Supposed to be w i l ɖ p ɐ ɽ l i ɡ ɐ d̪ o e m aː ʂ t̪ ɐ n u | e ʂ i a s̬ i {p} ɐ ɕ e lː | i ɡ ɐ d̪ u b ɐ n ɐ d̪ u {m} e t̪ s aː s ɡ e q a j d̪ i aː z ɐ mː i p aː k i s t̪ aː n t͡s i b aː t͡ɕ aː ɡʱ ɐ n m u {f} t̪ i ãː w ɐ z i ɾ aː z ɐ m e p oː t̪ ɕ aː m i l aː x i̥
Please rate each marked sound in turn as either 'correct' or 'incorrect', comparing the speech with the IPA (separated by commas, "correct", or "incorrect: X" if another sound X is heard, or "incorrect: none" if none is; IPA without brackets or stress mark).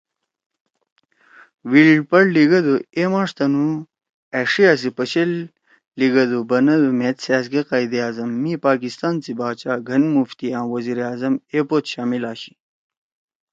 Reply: correct, correct, correct